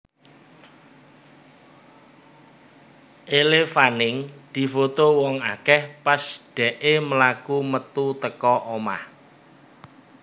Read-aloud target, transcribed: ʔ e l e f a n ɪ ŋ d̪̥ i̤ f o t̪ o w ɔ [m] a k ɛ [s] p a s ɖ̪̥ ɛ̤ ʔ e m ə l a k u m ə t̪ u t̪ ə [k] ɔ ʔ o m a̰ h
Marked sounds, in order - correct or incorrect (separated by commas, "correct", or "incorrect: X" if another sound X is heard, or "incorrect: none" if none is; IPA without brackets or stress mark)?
incorrect: ŋ, incorrect: h, correct